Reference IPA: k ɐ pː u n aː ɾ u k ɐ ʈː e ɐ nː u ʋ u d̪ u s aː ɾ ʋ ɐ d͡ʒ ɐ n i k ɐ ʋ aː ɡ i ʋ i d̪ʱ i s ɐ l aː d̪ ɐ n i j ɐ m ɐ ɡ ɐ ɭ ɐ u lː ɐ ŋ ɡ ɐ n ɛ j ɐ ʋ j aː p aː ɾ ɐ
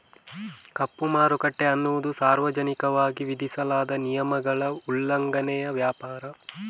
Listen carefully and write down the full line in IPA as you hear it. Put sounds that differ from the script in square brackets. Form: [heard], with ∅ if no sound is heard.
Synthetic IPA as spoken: k ɐ pː u [m] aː ɾ u k ɐ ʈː e ɐ nː u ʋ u d̪ u s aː ɾ ʋ ɐ d͡ʒ ɐ n i k ɐ ʋ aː ɡ i ʋ i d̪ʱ i s ɐ l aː d̪ ɐ n i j ɐ m ɐ ɡ ɐ ɭ ɐ u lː ɐ ŋ ɡ ɐ n ɛ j ɐ ʋ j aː p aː ɾ ɐ

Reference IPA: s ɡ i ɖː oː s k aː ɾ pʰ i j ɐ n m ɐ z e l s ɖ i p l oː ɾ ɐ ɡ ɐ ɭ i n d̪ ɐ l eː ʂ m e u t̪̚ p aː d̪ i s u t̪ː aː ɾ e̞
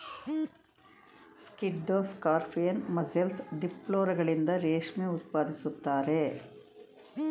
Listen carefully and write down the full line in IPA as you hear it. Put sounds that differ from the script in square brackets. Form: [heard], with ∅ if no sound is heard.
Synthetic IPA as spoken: s [k] i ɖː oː s k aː ɾ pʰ i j ɐ n m ɐ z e l s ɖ i p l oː ɾ ɐ ɡ ɐ ɭ i n d̪ ɐ [ɾ] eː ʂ m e u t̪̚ p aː d̪ i s u t̪ː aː ɾ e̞

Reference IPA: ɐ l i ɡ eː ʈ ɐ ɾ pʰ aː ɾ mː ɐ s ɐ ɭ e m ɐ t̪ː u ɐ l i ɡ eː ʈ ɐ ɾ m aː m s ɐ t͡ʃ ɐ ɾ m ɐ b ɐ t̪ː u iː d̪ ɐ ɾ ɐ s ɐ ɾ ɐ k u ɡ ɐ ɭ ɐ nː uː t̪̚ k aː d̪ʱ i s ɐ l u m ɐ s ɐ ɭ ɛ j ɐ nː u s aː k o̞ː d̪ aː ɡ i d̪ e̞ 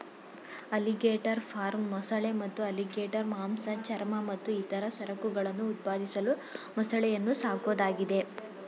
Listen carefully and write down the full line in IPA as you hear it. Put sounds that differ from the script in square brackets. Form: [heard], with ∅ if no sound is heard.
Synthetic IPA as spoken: ɐ l i ɡ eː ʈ ɐ ɾ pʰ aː ɾ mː ɐ s ɐ ɭ e m ɐ t̪ː u ɐ l i ɡ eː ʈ ɐ ɾ m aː m s ɐ t͡ʃ ɐ ɾ m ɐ [m] ɐ t̪ː u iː [t̪] ɐ ɾ ɐ s ɐ ɾ ɐ k u ɡ ɐ ɭ ɐ nː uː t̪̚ [p] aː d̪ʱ i s ɐ l u m ɐ s ɐ ɭ ɛ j ɐ nː u s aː k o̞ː d̪ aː ɡ i d̪ e̞

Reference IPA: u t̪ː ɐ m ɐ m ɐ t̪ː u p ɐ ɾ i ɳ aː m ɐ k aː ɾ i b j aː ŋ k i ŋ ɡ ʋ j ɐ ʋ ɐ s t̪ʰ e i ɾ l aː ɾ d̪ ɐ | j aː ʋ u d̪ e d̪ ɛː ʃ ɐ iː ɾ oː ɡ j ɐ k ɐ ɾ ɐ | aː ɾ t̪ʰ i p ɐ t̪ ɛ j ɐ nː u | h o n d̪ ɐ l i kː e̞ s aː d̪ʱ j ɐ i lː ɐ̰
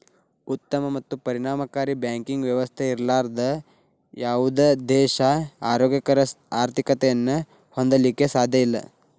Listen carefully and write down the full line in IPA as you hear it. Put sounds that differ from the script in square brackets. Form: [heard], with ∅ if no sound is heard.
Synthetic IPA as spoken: u t̪ː ɐ m ɐ m ɐ t̪ː u p ɐ ɾ i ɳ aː m ɐ k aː ɾ i b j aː ŋ k i ŋ ɡ ʋ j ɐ ʋ ɐ s t̪ʰ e i ɾ l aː ɾ d̪ ɐ | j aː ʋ u d̪ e d̪ ɛː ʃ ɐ [aː] ɾ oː ɡ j ɐ k ɐ ɾ ɐ | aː ɾ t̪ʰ i [k] ɐ t̪ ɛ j ɐ nː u | h o n d̪ ɐ l i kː e̞ s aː d̪ʱ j ɐ i lː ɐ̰

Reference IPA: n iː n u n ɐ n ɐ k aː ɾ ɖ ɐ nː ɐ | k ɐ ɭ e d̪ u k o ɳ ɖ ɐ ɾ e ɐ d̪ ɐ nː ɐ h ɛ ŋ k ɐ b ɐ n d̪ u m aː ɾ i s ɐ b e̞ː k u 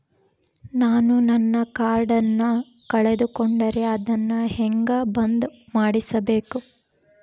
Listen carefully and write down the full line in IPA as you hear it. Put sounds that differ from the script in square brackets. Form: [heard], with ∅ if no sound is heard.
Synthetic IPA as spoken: n [aː] n u n ɐ [nː] ɐ k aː ɾ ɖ ɐ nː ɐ | k ɐ ɭ e d̪ u k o ɳ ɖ ɐ ɾ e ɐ d̪ ɐ nː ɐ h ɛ ŋ [ɡ] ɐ b ɐ n d̪ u m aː [ɽ] i s ɐ b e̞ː k u

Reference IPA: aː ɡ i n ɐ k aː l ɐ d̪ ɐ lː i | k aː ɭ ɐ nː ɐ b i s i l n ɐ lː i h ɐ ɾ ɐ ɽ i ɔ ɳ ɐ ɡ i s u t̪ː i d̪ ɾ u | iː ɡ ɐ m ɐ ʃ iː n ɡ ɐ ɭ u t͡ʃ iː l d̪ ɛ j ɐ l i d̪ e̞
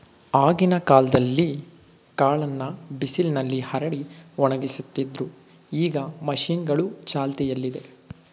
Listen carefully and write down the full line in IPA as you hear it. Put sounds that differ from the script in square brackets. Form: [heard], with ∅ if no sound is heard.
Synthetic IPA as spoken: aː ɡ i n ɐ k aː l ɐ d̪ ɐ lː i | k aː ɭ ɐ nː ɐ b i s i l n ɐ lː i h ɐ ɾ ɐ ɽ i ɔ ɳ ɐ ɡ i s u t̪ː i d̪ ɾ u | iː ɡ ɐ m ɐ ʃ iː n ɡ ɐ ɭ u t͡ʃ [aː] l [t̪] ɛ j ɐ [lː] i d̪ e̞

